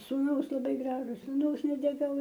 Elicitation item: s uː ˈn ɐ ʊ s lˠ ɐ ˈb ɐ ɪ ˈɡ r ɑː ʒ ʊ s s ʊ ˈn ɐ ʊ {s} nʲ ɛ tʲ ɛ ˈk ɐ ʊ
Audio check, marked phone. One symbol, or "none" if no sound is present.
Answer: s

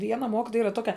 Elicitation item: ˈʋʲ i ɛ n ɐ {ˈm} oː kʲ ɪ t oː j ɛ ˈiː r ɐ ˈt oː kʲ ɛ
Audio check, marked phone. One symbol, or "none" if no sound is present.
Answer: m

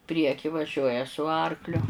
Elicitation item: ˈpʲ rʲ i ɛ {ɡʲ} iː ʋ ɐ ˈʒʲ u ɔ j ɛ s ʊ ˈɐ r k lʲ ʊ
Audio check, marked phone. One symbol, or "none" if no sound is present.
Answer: kʲ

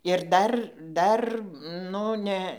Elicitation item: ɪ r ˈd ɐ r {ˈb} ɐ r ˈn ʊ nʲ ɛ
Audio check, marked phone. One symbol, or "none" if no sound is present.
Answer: d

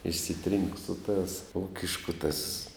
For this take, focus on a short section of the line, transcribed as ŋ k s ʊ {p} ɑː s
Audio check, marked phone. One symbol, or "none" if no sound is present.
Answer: t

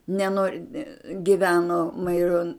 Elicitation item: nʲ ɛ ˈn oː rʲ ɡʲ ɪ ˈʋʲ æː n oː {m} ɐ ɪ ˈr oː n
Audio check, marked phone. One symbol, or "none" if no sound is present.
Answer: m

